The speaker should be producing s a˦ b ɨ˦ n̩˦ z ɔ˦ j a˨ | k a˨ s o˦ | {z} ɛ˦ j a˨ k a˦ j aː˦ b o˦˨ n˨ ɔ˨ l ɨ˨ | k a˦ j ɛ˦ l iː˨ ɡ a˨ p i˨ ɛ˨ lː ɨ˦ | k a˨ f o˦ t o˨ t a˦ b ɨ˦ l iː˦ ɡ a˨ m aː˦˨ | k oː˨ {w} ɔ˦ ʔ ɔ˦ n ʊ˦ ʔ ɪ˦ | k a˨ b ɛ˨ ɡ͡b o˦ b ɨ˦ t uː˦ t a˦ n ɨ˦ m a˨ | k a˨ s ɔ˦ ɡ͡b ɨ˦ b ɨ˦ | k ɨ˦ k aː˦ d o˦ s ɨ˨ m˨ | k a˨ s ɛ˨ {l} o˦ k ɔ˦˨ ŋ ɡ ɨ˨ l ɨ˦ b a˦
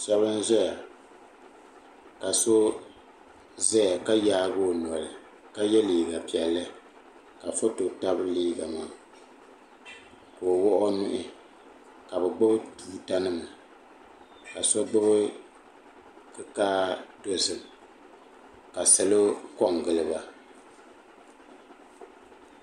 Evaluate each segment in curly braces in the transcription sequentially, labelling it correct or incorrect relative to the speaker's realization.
correct, correct, correct

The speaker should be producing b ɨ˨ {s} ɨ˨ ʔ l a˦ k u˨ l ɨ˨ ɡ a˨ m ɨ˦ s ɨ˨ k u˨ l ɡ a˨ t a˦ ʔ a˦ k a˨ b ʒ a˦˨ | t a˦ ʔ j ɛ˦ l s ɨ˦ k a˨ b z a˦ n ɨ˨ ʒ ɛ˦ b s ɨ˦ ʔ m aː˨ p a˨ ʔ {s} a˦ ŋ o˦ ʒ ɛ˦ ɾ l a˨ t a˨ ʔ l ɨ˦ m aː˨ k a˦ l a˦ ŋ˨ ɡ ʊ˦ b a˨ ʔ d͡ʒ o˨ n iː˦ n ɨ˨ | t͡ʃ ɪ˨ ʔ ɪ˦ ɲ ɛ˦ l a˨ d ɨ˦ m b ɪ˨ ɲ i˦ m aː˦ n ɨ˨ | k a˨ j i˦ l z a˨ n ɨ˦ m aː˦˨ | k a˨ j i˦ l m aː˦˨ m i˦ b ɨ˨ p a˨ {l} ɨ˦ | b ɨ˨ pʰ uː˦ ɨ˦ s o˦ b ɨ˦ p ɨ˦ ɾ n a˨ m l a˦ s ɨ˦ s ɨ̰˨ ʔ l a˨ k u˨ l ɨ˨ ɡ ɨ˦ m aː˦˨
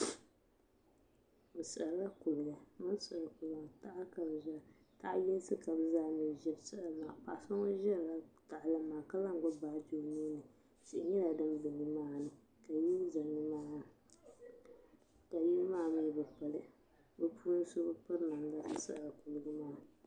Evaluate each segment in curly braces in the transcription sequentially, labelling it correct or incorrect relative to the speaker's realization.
correct, correct, correct

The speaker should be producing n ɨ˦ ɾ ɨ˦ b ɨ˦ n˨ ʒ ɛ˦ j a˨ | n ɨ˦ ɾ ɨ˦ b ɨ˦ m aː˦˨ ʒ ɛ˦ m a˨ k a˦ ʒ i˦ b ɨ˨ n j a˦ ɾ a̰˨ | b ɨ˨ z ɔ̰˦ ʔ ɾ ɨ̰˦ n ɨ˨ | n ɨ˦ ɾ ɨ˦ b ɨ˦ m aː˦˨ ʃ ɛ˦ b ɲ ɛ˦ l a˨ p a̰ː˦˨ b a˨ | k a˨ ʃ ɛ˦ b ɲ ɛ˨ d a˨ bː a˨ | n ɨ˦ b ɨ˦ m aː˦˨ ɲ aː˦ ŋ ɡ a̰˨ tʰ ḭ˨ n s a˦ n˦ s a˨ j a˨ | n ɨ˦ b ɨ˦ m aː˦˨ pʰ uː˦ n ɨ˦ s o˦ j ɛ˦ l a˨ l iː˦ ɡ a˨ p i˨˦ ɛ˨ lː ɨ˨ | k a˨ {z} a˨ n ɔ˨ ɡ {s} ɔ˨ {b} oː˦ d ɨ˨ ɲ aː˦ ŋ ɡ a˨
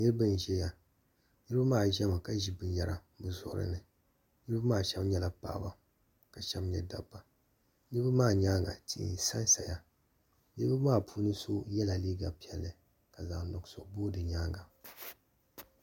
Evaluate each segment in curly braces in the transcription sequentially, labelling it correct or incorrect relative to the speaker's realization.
correct, correct, correct

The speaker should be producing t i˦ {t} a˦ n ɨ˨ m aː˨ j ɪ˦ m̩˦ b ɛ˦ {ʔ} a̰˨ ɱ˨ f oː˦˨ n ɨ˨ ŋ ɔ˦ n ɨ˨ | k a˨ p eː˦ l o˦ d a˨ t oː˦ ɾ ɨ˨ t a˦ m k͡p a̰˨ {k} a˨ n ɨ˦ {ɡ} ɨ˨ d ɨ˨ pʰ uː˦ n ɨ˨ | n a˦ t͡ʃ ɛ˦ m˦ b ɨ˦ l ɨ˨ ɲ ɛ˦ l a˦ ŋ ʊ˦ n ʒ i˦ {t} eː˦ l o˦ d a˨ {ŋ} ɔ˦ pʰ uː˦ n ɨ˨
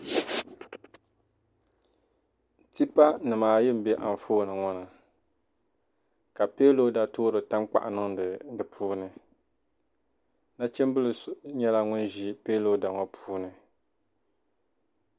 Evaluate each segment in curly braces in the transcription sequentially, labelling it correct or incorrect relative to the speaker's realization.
incorrect: p, correct, incorrect: ʔ, incorrect: ŋ, incorrect: p, correct

